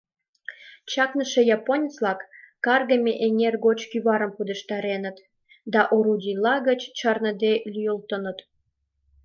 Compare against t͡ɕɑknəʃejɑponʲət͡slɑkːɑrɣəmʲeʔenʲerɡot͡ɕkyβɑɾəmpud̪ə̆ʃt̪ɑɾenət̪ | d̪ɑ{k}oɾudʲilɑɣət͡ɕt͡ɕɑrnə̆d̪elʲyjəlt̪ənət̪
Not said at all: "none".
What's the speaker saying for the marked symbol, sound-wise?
ʔ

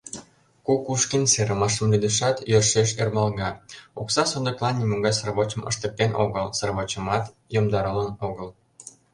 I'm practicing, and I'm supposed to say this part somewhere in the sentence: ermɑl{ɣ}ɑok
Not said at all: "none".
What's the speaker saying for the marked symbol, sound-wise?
ɣ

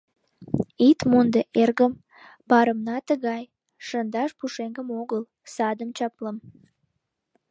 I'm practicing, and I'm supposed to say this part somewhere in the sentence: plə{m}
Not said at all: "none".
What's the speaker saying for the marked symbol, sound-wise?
m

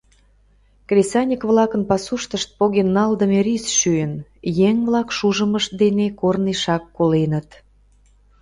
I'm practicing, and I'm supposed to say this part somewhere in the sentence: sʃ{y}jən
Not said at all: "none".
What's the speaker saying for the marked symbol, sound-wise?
y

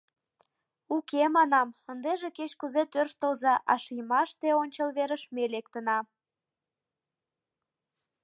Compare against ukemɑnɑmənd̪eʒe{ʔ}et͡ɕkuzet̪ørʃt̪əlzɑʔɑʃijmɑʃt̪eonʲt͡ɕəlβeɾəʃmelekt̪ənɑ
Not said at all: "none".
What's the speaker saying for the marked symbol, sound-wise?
k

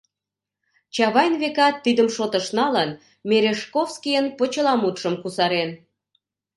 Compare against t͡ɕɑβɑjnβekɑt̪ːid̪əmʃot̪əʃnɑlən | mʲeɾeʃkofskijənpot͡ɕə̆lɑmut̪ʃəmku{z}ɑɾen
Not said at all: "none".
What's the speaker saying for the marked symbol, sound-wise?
s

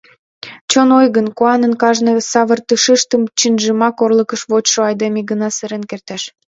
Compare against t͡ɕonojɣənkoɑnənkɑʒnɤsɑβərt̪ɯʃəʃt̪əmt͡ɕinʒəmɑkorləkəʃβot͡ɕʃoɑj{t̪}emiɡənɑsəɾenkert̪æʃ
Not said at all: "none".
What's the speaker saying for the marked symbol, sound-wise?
d̪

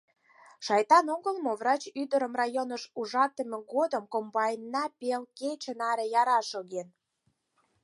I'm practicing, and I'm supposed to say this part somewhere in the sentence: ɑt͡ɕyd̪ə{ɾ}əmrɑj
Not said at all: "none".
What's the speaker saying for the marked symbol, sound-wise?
ɾ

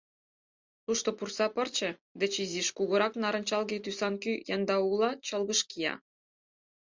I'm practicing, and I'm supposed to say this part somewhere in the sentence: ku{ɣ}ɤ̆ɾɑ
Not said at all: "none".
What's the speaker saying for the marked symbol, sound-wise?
ɣ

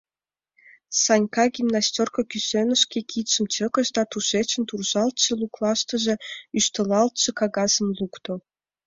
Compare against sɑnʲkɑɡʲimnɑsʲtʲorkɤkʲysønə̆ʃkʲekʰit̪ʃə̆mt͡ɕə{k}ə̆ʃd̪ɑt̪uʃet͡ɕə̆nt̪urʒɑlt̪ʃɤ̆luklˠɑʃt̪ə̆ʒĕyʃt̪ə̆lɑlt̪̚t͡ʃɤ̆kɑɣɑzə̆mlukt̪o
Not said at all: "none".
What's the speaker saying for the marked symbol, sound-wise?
k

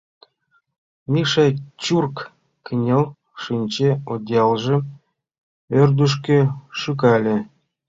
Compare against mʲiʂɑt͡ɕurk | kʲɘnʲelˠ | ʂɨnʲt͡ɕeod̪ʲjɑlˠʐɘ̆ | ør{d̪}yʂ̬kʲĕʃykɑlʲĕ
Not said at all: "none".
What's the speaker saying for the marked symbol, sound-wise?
d̪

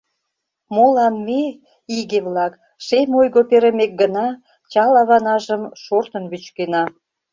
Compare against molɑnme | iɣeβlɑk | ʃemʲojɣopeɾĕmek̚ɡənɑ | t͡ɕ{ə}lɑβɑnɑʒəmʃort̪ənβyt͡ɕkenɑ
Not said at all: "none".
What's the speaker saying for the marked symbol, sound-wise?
ɑ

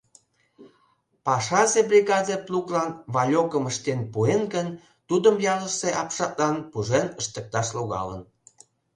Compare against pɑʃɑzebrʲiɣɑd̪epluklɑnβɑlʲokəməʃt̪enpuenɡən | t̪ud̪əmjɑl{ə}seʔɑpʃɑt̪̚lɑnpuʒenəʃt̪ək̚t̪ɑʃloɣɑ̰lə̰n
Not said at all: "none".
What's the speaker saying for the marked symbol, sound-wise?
ə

